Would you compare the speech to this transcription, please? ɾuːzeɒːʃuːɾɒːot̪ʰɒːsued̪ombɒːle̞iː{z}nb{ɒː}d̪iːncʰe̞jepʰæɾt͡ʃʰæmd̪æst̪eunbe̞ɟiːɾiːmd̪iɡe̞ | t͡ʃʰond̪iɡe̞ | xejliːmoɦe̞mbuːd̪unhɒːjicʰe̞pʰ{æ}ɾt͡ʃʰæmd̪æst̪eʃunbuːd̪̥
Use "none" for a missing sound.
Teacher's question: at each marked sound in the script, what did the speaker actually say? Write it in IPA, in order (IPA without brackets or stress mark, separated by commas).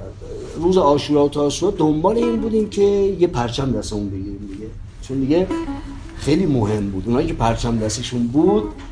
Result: none, uː, æ